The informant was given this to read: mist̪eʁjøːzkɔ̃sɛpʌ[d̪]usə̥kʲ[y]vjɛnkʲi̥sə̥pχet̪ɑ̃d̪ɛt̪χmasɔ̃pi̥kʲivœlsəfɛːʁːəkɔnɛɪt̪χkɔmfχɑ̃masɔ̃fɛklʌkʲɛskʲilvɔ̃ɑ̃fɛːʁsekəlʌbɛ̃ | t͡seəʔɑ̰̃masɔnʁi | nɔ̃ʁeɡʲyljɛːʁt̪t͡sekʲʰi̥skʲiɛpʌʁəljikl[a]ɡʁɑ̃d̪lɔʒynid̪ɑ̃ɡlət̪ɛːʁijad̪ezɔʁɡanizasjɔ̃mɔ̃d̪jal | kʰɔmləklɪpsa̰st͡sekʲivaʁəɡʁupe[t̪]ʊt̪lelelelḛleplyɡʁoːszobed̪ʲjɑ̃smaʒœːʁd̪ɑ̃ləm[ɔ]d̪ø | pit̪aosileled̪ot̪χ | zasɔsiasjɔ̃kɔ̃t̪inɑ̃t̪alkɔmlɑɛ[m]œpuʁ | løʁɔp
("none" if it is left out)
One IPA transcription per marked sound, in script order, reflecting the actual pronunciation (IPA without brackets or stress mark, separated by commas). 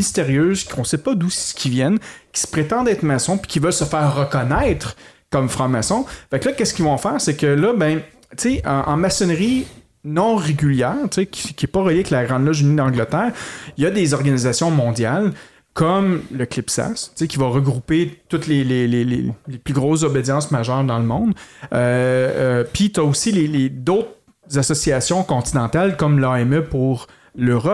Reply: d̪, i, a, t̪, ɔ̃, m